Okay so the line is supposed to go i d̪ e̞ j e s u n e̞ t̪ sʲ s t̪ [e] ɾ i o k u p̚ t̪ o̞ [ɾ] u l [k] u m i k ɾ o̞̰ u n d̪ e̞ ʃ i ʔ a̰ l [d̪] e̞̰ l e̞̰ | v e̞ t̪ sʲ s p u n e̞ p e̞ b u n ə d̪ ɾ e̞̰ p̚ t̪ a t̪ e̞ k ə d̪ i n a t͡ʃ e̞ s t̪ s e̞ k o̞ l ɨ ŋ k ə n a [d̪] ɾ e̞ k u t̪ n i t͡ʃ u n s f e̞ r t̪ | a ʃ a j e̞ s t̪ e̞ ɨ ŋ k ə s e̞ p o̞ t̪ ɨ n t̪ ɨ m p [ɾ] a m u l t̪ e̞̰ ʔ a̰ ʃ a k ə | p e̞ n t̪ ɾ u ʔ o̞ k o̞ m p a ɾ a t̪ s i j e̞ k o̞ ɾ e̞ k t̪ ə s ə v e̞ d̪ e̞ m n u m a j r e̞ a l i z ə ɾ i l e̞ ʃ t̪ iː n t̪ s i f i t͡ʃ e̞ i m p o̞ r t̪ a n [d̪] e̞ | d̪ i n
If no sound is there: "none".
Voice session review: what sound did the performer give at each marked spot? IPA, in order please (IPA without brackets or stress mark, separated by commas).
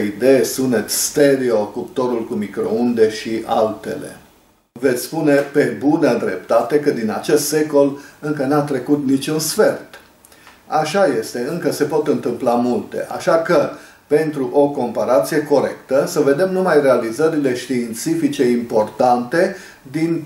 e, ɾ, k, t̪, t̪, l, t̪